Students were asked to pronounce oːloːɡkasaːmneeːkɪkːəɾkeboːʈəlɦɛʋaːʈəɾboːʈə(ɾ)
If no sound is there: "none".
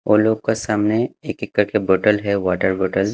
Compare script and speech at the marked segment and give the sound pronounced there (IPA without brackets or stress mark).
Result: l